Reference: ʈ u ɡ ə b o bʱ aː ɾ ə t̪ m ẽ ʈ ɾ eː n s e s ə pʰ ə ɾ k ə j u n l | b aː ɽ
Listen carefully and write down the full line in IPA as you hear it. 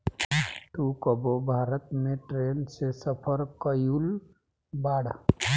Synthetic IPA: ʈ u k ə b o bʱ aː ɾ ə t̪ m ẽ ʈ ɾ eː n s e s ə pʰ ə ɾ k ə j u l | b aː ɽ